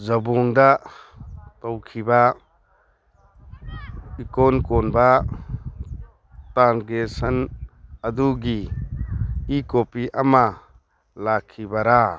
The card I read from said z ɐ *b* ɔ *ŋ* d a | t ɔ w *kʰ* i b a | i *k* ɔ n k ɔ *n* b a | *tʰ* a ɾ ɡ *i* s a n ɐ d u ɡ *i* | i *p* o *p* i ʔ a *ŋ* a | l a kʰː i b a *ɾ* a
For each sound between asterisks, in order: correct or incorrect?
correct, correct, correct, correct, correct, incorrect, incorrect, correct, incorrect, correct, incorrect, correct

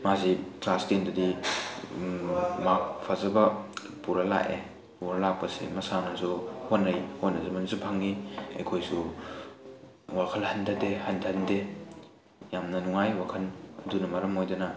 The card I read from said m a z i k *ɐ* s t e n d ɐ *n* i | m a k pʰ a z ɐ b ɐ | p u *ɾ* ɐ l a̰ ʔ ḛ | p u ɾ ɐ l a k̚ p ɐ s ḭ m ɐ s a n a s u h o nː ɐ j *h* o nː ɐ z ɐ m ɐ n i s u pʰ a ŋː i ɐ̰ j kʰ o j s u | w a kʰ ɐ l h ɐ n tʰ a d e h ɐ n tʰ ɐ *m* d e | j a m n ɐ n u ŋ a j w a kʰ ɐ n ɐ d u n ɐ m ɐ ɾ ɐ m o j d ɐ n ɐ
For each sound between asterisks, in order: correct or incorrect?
incorrect, incorrect, correct, correct, incorrect

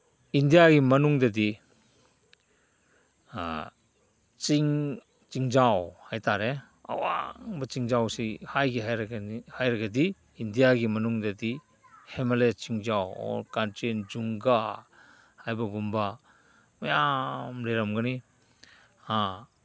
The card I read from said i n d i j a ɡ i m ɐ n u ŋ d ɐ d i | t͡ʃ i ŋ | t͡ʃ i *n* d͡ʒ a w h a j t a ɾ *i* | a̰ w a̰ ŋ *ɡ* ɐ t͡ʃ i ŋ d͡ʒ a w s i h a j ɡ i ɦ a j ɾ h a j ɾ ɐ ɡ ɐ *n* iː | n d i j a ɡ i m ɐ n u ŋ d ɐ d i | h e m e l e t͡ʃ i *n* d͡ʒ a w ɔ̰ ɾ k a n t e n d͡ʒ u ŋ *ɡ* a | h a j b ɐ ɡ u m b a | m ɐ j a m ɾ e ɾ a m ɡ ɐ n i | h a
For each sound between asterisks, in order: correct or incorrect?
incorrect, incorrect, incorrect, incorrect, incorrect, correct

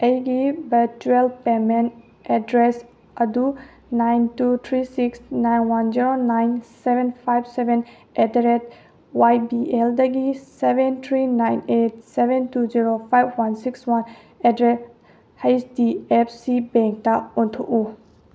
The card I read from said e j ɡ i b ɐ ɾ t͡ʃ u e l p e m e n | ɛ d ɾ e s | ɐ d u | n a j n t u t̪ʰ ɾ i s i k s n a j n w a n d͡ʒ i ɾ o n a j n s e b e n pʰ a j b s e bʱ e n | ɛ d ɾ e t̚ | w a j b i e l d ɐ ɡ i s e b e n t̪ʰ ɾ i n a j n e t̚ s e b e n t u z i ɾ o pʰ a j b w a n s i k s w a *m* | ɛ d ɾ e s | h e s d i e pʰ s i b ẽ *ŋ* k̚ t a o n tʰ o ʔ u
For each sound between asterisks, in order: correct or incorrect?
incorrect, correct

